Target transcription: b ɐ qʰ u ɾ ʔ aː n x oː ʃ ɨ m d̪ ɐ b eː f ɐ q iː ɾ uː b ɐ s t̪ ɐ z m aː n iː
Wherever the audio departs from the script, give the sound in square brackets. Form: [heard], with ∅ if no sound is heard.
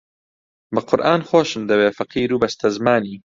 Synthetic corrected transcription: b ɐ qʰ [ʊ] ɾ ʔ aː n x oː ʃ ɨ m d̪ ɐ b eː f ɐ q iː ɾ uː b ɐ s t̪ ɐ z m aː n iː